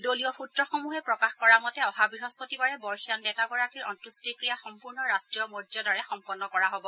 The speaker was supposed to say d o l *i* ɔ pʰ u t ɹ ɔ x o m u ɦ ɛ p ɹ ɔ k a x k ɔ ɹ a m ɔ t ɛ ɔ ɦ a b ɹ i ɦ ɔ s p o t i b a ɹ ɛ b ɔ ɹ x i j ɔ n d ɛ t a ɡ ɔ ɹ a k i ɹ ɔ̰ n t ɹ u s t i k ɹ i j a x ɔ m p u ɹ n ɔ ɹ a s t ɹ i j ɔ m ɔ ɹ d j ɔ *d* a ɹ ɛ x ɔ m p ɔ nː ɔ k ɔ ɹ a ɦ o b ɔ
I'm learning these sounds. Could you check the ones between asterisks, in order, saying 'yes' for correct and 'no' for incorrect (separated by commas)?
yes, yes